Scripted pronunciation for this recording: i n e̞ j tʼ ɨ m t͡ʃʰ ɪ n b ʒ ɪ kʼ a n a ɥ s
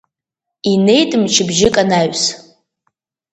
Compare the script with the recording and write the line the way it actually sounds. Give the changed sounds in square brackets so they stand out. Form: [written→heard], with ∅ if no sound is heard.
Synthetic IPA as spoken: i n e̞ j tʼ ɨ m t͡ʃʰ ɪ [n→∅] b ʒ ɪ kʼ a n a ɥ s